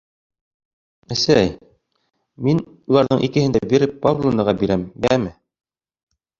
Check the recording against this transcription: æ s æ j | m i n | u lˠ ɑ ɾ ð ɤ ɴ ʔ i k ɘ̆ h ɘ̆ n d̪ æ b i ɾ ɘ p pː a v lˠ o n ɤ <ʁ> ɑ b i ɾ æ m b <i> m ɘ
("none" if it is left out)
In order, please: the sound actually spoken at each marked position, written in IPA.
ʁ, æ

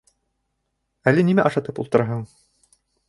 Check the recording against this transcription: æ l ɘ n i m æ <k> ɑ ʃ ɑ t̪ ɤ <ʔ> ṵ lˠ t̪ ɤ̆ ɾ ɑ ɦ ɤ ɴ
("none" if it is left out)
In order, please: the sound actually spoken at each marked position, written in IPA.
ʔ, p

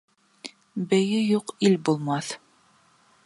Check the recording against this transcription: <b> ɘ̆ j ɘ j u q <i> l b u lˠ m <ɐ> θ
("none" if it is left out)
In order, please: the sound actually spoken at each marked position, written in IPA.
b, i, ɑ

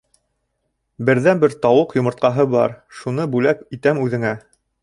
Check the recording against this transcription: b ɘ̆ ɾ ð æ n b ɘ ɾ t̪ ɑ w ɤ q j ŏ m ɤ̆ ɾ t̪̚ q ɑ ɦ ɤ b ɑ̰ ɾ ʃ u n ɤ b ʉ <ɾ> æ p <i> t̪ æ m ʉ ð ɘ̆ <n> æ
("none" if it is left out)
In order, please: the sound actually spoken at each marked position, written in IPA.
l, i, ŋ

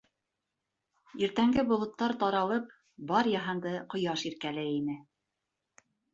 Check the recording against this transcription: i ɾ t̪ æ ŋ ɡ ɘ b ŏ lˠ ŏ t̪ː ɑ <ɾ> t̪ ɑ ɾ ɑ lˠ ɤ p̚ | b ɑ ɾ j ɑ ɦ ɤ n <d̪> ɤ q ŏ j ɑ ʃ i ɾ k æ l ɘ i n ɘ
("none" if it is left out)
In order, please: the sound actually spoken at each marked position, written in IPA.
ɾ, d̪

